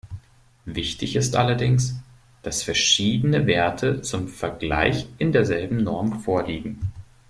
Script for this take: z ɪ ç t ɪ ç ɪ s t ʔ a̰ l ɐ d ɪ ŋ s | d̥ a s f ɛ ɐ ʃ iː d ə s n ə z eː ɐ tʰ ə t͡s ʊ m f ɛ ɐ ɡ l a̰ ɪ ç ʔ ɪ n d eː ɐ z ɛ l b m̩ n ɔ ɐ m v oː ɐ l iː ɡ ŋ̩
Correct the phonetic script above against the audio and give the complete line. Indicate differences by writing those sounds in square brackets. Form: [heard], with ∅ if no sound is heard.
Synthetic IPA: [v] ɪ ç t ɪ ç ɪ s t ʔ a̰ l ɐ d ɪ ŋ s | d̥ a s f ɛ ɐ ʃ iː d ə [∅] n ə [v] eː ɐ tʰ ə t͡s ʊ m f ɛ ɐ ɡ l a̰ ɪ ç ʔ ɪ n d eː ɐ z ɛ l b m̩ n ɔ ɐ m [f] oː ɐ l iː ɡ ŋ̩